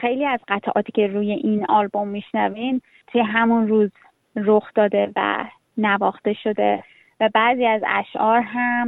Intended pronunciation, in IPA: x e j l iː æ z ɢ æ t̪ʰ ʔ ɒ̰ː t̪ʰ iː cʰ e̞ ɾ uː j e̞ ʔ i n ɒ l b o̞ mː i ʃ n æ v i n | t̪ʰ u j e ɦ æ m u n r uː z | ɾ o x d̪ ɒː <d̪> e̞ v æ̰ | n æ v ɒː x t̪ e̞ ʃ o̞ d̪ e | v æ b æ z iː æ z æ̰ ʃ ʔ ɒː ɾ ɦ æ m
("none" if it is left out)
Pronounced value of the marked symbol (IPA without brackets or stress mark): d̪